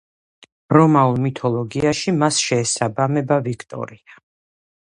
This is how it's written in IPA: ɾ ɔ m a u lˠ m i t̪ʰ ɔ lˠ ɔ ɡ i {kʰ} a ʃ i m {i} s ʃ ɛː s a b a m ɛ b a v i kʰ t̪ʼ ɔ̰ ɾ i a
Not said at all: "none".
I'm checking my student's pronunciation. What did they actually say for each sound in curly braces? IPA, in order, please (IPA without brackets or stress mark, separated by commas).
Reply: none, a